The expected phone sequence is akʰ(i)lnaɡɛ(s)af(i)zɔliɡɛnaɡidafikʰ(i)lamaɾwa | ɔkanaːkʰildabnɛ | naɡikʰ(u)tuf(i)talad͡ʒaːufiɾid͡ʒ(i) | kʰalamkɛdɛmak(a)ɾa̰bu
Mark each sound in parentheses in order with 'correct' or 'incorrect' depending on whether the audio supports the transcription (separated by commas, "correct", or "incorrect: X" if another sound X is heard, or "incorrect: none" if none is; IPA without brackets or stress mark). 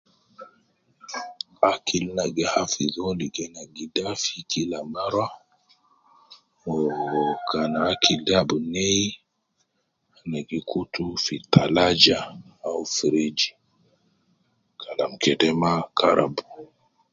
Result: correct, incorrect: h, correct, correct, correct, correct, correct, correct